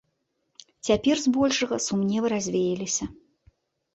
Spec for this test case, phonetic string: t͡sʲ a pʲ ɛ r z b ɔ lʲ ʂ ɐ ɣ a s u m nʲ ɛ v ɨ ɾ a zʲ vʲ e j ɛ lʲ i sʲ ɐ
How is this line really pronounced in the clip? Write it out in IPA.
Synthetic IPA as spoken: t͡sʲ a pʲ ɛ r z b ɔ lʲ ʂ ɐ ɣ ɐ s u m nʲ ɛ v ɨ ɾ a zʲ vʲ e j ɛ lʲ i sʲ ɐ